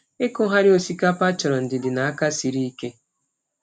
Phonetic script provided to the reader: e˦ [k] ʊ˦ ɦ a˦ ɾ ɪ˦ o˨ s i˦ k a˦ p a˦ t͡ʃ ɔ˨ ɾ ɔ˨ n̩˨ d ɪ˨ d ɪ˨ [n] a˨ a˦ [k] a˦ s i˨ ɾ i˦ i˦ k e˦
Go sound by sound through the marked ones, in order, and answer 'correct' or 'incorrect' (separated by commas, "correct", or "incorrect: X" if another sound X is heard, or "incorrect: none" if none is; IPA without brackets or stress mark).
correct, correct, correct